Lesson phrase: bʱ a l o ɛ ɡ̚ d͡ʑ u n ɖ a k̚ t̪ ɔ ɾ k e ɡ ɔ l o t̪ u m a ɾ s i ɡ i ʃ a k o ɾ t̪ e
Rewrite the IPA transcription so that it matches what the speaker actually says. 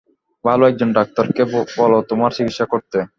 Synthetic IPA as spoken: bʱ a l o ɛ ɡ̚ d͡ʑ o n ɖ a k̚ t̪ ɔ ɾ k e b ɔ l o t̪ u m a ɾ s i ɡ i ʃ a k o ɾ t̪ e